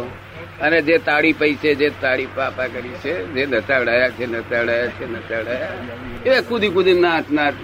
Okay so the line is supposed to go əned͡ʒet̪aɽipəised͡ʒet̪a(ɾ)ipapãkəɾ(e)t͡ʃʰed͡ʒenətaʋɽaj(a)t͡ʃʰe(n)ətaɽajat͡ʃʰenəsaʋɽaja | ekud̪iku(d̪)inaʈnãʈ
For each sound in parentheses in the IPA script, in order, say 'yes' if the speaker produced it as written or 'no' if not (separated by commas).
no, no, yes, yes, yes